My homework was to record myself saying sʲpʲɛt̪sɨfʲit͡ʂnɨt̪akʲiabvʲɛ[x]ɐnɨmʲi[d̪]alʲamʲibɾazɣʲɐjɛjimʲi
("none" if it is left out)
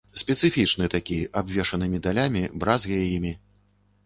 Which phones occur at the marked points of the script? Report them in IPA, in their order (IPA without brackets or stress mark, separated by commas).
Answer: ʂ, d̪